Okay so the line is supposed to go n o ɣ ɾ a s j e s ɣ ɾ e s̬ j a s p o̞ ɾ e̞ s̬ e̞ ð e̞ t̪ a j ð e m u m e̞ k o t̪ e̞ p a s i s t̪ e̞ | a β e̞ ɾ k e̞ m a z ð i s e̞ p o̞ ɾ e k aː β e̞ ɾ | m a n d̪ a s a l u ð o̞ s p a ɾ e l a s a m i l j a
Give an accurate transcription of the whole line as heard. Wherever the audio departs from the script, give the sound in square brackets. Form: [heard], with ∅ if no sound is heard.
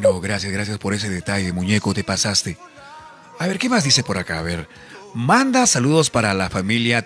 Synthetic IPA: n o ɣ ɾ a s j [a] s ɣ ɾ [a] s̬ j a s p o̞ ɾ e̞ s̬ e̞ ð e̞ t̪ a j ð e m u [ɲ] e̞ k o t̪ e̞ p a s [a] s t̪ e̞ | a β e̞ ɾ k e̞ m a z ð i s e̞ p o̞ ɾ [a] k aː β e̞ ɾ | m a n d̪ a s a l u ð o̞ s p a ɾ [a] l a [f] a m i l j a